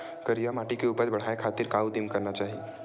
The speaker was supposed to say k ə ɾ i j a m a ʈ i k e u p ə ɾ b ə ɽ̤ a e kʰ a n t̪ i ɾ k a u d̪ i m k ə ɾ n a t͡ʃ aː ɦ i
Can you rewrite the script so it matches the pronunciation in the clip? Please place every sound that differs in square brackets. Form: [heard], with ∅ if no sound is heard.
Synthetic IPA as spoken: k ə ɾ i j a m a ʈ i k e u p ə ɾ b ə ɽ̤ a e kʰ a [∅] t̪ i ɾ k a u d̪ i m k ə ɾ n a t͡ʃ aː ɦ i